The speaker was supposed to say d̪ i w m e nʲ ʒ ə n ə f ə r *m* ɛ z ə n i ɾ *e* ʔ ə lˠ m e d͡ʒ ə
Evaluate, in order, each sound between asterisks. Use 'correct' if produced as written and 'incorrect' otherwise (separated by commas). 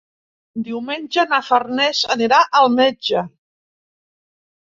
incorrect, incorrect